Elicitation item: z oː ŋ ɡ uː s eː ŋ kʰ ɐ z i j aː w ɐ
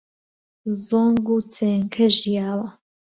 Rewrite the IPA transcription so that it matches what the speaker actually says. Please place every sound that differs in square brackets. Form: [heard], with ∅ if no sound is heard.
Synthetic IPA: z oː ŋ ɡ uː [t͡s] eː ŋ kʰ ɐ [ʒ] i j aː w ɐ

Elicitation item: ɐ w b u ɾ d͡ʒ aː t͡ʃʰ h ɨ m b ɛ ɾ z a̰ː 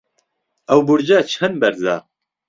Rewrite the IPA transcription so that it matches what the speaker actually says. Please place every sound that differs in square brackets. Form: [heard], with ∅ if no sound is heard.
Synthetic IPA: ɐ w b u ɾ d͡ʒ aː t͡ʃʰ h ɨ [n] b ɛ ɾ z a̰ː

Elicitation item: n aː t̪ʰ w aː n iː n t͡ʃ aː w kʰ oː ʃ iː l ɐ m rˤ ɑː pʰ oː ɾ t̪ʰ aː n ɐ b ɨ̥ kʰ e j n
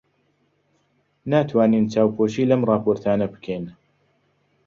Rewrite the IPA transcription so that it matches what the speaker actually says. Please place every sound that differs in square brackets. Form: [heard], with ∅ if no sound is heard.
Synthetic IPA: n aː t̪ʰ w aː n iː n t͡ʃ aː w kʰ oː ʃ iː l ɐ m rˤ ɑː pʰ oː ɾ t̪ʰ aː n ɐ b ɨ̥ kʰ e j n

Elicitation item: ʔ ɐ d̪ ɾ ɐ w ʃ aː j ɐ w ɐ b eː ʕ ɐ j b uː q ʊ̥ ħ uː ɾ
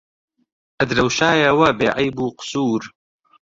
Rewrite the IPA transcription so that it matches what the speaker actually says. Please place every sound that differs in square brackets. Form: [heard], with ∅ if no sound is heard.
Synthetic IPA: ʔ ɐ d̪ ɾ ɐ w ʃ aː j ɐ w ɐ b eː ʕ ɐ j b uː q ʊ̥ [s] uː ɾ

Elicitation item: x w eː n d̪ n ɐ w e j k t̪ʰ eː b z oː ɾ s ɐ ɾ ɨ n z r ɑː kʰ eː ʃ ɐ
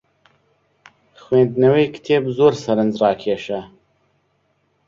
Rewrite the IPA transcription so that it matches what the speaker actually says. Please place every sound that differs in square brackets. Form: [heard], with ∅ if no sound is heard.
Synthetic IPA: x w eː n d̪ n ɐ w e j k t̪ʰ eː b z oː ɾ s ɐ ɾ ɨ n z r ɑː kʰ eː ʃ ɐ

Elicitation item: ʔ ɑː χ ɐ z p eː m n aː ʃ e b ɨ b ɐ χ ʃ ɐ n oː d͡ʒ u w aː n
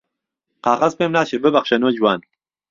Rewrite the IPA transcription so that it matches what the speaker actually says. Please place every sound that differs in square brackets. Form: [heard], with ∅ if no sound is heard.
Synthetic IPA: [q] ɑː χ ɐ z p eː m n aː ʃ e b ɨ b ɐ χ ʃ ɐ n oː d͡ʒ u w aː n

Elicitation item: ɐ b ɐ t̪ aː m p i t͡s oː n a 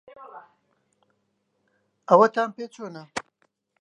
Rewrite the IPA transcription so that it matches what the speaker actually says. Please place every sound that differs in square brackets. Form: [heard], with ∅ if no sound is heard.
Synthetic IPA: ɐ [w] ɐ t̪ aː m p [e] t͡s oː n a

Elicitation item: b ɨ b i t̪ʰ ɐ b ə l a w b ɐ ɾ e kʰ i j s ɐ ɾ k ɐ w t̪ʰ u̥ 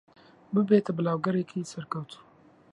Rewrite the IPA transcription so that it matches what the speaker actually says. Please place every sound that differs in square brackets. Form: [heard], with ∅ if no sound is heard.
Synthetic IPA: b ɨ b [e] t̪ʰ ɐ b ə l a w [ɡ] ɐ ɾ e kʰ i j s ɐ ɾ k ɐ w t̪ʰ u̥

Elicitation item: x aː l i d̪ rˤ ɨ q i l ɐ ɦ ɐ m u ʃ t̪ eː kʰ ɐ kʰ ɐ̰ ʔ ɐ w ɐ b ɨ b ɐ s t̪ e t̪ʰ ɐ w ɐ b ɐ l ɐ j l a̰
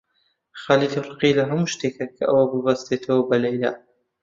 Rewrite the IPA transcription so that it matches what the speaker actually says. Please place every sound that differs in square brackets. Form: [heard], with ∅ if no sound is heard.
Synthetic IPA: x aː l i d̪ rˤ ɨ q i l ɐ ɦ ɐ m u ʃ t̪ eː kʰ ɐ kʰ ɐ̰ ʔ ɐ w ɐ b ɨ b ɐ s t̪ e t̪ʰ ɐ w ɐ b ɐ l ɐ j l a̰

